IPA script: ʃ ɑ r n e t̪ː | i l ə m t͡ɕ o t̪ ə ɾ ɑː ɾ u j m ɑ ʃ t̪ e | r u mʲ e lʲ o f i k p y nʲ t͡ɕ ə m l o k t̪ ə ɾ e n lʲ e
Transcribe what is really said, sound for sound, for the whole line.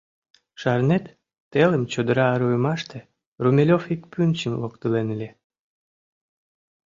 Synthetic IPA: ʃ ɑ r n e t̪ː | e l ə m t͡ɕ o d̪ ə ɾ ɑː ɾ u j m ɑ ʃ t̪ e | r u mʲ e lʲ o f i k p y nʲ t͡ɕ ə m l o k t̪ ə l e n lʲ e